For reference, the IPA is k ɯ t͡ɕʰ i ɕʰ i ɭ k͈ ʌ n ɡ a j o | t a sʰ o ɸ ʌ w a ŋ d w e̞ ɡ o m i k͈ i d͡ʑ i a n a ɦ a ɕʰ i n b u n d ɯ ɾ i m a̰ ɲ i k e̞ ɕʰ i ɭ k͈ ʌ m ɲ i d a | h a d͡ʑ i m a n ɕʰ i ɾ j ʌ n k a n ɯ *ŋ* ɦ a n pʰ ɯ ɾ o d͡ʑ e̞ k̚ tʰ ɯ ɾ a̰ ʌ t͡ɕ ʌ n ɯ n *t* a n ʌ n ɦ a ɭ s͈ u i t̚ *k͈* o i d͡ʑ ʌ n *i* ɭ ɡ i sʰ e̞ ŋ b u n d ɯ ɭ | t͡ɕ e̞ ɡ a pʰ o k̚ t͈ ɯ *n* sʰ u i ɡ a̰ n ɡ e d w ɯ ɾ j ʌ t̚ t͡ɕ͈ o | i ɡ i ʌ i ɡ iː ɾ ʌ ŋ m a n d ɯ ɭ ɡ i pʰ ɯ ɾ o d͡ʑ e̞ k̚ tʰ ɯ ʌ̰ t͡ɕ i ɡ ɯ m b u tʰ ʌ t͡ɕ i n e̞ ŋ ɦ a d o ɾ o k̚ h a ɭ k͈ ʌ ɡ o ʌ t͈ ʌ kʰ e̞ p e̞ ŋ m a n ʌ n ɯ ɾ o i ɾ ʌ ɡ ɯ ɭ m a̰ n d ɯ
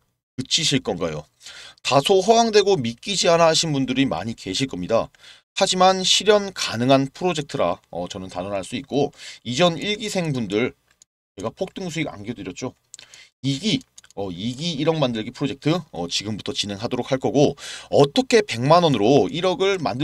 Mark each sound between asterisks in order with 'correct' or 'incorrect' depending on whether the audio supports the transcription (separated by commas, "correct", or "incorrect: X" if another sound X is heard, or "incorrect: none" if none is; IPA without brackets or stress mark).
correct, correct, correct, correct, incorrect: ŋ